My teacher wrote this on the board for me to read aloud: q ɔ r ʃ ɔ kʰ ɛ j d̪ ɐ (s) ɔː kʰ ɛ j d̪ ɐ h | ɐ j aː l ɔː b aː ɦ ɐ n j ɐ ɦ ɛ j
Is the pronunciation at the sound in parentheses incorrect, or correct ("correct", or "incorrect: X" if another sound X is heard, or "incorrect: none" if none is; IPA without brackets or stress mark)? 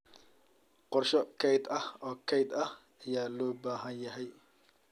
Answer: incorrect: h